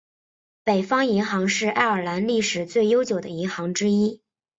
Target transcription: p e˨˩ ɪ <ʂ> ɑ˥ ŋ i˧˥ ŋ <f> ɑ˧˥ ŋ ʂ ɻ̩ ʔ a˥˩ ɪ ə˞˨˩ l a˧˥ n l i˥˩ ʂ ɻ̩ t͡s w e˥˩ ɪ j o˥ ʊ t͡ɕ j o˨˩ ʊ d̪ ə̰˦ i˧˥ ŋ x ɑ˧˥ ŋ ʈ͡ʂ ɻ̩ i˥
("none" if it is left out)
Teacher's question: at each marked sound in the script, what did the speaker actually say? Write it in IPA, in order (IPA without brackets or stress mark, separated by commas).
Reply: f, x